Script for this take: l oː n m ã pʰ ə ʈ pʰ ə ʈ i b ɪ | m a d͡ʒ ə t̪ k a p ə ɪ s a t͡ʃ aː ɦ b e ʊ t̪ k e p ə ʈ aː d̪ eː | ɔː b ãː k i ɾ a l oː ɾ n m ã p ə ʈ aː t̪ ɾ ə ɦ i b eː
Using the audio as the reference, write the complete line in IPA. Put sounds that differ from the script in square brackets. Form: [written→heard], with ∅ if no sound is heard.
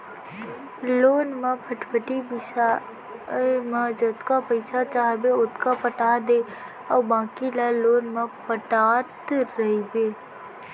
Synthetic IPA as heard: l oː n m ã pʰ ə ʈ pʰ ə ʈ i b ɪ | m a d͡ʒ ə t̪ k a p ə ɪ s a t͡ʃ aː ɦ b e ʊ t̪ k [e→a] p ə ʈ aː d̪ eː | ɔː b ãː k i [ɾ→l] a l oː [ɾ→∅] n m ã p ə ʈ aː t̪ ɾ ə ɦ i b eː